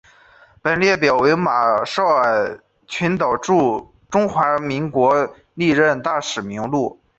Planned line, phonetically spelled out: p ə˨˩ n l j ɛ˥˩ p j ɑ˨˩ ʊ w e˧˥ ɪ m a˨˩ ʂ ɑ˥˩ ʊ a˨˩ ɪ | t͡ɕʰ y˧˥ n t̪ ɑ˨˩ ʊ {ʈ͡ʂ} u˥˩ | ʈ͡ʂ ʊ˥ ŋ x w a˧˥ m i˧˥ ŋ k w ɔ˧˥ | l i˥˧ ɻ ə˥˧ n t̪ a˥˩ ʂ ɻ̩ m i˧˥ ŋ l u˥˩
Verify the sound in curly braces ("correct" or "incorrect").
correct